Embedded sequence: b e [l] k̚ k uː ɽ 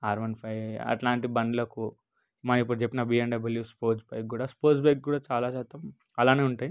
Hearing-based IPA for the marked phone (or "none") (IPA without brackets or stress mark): none